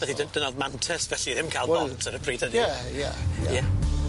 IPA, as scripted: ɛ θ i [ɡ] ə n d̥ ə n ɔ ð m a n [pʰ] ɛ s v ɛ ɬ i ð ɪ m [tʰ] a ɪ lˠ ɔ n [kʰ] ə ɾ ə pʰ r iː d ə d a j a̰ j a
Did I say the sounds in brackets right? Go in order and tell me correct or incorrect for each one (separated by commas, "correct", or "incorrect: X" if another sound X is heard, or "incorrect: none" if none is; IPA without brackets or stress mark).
incorrect: d, incorrect: tʰ, incorrect: kʰ, incorrect: tʰ